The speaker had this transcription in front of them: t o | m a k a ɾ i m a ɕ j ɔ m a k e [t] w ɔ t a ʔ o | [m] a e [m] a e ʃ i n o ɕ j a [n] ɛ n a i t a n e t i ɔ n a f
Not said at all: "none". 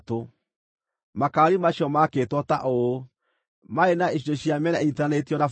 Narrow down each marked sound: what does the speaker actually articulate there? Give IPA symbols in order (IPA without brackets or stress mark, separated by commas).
t, m, n, m